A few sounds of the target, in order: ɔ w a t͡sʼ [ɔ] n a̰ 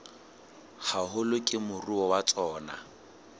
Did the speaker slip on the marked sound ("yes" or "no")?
yes